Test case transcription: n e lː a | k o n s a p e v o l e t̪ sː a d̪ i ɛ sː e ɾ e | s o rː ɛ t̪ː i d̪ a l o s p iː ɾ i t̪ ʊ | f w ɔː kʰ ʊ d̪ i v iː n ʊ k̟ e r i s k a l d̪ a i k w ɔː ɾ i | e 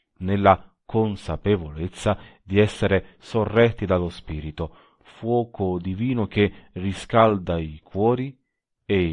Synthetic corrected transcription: n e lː a | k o n s a p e v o l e t̪ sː a d̪ i ɛ sː e ɾ e | s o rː ɛ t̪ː i d̪ a l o s p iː ɾ i t̪ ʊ | f w ɔː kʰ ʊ d̪ i v iː n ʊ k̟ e r i s k a l d̪ a i k w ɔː ɾ i | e